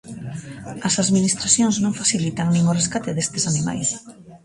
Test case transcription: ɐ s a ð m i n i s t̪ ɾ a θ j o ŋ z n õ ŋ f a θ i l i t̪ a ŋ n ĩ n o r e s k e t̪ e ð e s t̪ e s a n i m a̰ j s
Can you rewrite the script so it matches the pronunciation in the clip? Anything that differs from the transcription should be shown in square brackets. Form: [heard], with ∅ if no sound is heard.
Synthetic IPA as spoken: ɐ s a ð m i n i s t̪ ɾ a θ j o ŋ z n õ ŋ f a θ i l i t̪ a ŋ n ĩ [ŋ] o r e s k [a] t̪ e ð e s t̪ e s a n i m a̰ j s